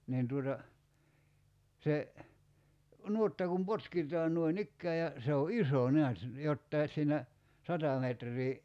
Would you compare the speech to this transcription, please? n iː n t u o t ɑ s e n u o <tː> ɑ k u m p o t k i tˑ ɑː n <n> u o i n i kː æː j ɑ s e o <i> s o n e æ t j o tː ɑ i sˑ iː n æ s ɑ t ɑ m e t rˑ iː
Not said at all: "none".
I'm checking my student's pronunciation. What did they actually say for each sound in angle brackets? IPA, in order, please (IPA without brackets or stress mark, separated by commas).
tː, n, i